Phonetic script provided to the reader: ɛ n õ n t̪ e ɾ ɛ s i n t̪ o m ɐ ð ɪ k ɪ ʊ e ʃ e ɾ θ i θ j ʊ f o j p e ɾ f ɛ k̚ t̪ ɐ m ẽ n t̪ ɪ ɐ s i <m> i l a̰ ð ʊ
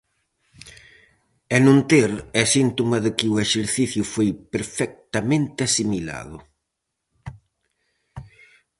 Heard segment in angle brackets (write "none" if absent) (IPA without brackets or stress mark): m